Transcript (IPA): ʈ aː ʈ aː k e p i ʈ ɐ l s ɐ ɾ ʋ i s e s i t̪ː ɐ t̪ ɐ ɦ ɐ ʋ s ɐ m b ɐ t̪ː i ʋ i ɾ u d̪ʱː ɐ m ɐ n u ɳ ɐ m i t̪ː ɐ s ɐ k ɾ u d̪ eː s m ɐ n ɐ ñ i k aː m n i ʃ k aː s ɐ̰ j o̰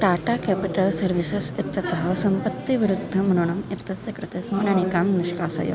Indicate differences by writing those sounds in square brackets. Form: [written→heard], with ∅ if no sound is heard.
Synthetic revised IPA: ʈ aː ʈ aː k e p i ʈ ɐ l s ɐ ɾ ʋ i s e s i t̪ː ɐ t̪ ɐ ɦ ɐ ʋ s ɐ m [b→p] ɐ t̪ː i ʋ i ɾ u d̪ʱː ɐ m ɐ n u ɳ ɐ m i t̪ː ɐ s ɐ k ɾ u [d̪→t̪] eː s m ɐ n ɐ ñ i k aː m n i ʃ k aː s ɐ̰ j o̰

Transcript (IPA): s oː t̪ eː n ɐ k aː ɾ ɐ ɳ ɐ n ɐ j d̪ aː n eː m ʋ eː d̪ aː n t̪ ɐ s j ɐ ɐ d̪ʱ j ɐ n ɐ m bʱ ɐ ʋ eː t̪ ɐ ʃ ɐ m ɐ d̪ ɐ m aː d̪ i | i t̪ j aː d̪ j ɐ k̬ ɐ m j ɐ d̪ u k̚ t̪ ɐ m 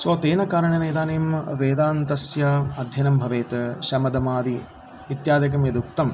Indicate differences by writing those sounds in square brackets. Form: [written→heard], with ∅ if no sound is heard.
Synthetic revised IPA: s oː t̪ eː n ɐ k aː ɾ ɐ ɳ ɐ n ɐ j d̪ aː n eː m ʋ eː d̪ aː n t̪ ɐ s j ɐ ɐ d̪ʱ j ɐ n ɐ m bʱ ɐ ʋ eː t̪ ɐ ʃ ɐ m ɐ d̪ ɐ m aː d̪ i | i t̪ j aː d̪ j ɐ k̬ ɐ m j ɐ d̪ u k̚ t̪ ɐ m

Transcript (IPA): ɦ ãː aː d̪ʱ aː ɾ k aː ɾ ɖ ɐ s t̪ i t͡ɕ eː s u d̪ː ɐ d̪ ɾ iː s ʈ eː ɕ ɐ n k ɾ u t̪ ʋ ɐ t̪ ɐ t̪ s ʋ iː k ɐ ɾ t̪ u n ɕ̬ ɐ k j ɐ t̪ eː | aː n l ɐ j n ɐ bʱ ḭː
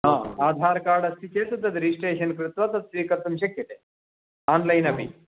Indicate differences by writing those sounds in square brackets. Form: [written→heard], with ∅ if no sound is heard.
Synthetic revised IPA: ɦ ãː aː d̪ʱ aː ɾ k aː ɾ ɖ ɐ s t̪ i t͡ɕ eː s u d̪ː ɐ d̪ ɾ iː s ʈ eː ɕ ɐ n k ɾ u t̪ ʋ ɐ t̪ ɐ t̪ s ʋ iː k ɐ ɾ t̪ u [n→m] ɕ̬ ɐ k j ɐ t̪ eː | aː n l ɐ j n ɐ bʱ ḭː

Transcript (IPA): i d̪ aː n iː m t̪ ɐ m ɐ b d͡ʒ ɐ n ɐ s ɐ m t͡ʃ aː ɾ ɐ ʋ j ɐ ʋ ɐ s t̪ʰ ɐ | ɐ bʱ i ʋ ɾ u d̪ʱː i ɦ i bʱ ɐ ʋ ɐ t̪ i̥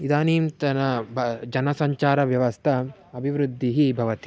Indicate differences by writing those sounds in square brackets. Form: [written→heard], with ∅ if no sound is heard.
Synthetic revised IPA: i d̪ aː n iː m t̪ ɐ [m→n] ɐ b d͡ʒ ɐ n ɐ s ɐ [m→ɲ] t͡ʃ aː ɾ ɐ ʋ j ɐ ʋ ɐ s t̪ʰ ɐ | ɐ bʱ i ʋ ɾ u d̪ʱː i ɦ i bʱ ɐ ʋ ɐ t̪ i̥

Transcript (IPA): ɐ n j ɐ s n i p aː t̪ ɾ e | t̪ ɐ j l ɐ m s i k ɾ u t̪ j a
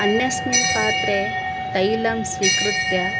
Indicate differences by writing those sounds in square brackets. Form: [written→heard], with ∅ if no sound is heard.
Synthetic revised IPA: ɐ n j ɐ s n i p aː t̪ ɾ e | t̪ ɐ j l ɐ m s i k ɾ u t̪ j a

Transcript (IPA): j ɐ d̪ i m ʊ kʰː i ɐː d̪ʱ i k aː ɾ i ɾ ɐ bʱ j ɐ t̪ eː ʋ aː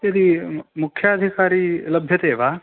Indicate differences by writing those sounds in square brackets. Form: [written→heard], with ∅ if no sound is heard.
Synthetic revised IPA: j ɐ d̪ i m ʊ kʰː [i→j] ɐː d̪ʱ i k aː ɾ i [ɾ→l] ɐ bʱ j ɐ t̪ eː ʋ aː

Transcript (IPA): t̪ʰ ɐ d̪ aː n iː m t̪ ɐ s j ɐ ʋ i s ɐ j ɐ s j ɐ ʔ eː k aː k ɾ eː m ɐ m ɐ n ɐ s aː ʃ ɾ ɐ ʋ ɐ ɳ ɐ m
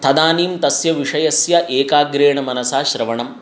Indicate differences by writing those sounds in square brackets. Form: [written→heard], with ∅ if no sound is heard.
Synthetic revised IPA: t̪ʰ ɐ d̪ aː n iː m t̪ ɐ s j ɐ ʋ i [s→ʂ] ɐ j ɐ s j ɐ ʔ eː k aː [k→ɡ] ɾ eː [m→ɳ] ɐ m ɐ n ɐ s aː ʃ ɾ ɐ ʋ ɐ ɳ ɐ m

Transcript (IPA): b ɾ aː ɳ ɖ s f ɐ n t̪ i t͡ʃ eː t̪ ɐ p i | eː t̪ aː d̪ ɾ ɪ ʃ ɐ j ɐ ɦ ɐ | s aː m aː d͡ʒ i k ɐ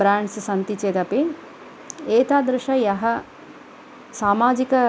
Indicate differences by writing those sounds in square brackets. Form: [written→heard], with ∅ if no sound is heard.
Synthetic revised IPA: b ɾ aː ɳ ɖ s [f→s] ɐ n t̪ i t͡ʃ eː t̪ ɐ p i | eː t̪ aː d̪ ɾ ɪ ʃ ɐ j ɐ ɦ ɐ | s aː m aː d͡ʒ i k ɐ

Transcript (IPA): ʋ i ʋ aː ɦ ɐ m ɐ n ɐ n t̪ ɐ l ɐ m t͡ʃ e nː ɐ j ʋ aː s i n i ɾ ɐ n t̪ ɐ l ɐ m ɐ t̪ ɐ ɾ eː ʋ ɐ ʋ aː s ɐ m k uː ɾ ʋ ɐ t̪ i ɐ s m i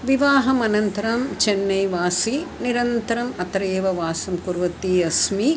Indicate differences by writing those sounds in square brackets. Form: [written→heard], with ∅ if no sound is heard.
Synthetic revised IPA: ʋ i ʋ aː ɦ ɐ m ɐ n ɐ n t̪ ɐ [l→ɾ] ɐ m t͡ʃ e nː ɐ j ʋ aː s i n i ɾ ɐ n t̪ ɐ [l→ɾ] ɐ m ɐ t̪ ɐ ɾ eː ʋ ɐ ʋ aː s ɐ m k [uː→u] ɾ ʋ ɐ t̪ i ɐ s m i

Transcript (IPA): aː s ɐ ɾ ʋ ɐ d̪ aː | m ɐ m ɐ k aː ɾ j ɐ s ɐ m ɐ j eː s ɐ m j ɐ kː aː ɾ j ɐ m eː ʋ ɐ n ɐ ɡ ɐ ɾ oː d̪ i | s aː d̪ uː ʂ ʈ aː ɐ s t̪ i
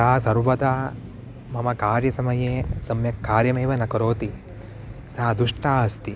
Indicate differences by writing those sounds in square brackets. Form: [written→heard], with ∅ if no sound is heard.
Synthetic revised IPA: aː s ɐ ɾ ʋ ɐ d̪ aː | m ɐ m ɐ k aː ɾ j ɐ s ɐ m ɐ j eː s ɐ m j ɐ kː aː ɾ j ɐ m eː ʋ ɐ n ɐ [ɡ→k] ɐ ɾ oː [d̪→t̪] i | s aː d̪ [uː→u] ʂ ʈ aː ɐ s t̪ i

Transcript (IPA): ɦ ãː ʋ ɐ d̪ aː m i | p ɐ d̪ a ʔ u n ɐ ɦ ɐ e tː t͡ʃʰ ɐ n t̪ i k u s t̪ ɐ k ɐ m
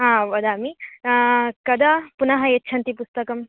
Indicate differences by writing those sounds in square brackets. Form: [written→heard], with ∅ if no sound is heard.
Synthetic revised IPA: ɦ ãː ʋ ɐ d̪ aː m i | [p→k] ɐ d̪ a [ʔ→p] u n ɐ ɦ ɐ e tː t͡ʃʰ ɐ n t̪ i [k→p] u s t̪ ɐ k ɐ m

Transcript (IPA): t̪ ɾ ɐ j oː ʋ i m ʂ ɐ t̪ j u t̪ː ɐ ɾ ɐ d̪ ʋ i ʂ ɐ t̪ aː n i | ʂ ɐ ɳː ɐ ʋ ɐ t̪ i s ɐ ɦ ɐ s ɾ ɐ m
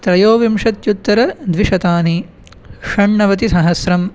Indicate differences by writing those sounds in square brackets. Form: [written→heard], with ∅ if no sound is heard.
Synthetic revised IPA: t̪ ɾ ɐ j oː ʋ i m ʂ ɐ t̪ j u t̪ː ɐ ɾ ɐ d̪ ʋ i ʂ ɐ t̪ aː n i | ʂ ɐ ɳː ɐ ʋ ɐ t̪ i s ɐ ɦ ɐ s ɾ ɐ m

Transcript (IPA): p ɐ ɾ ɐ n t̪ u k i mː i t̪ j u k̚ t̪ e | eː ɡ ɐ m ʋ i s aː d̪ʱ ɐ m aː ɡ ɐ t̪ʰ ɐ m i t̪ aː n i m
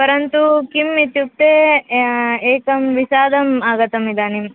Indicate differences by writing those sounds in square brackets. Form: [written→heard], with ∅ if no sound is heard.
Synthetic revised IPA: p ɐ ɾ ɐ n t̪ u k i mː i t̪ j u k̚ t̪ e | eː [ɡ→k] ɐ m ʋ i s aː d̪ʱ ɐ m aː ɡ ɐ [t̪ʰ→t̪] ɐ m i [t̪→d̪] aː n i m

